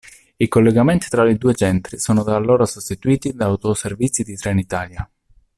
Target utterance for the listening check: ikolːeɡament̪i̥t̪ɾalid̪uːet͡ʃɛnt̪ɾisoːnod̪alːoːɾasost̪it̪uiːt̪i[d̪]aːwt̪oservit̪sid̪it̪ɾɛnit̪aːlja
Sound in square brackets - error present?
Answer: no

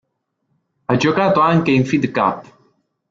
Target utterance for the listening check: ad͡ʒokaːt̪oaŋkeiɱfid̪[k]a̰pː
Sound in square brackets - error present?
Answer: no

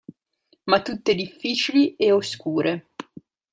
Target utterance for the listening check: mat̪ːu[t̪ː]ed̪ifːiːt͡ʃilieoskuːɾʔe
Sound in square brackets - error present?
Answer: no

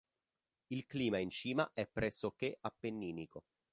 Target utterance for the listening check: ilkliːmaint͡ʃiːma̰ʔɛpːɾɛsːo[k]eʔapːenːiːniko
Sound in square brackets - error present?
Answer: no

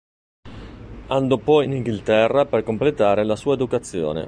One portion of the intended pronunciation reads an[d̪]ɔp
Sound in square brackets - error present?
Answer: no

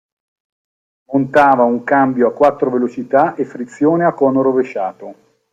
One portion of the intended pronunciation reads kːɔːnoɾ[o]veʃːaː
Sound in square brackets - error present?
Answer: no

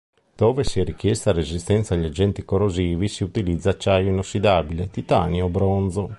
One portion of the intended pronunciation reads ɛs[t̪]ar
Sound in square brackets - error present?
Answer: no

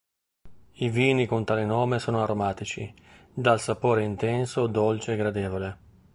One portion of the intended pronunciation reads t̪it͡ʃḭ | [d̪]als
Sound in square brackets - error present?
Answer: no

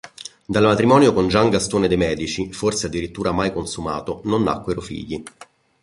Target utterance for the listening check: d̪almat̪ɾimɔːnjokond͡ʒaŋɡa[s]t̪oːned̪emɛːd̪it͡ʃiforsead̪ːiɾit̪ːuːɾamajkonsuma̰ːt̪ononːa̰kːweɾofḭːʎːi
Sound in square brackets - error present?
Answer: no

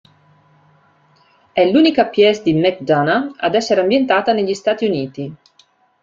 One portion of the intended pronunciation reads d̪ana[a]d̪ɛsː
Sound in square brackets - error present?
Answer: no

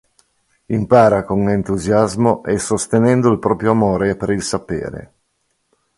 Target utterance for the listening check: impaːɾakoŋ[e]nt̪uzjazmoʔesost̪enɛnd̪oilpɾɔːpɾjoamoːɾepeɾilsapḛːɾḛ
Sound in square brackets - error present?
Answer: no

